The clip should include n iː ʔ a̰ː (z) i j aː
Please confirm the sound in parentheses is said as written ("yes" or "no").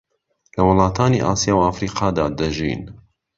no